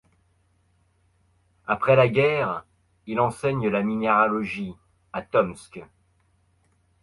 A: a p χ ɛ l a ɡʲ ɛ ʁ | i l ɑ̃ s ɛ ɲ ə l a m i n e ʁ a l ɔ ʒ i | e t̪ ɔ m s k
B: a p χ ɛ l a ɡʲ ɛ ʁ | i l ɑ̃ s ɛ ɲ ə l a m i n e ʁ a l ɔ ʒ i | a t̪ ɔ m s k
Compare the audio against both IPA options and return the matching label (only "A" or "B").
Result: B